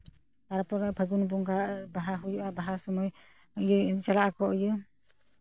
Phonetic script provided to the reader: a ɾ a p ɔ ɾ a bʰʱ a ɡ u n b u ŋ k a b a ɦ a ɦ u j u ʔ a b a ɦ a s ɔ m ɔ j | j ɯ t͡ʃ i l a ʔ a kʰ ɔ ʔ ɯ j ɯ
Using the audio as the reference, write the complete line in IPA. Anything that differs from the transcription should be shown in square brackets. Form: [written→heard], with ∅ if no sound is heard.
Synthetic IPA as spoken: a ɾ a p ɔ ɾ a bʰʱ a ɡ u n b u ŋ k a b a ɦ a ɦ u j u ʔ a b a ɦ a s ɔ m ɔ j | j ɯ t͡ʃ [i→a] l a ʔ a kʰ ɔ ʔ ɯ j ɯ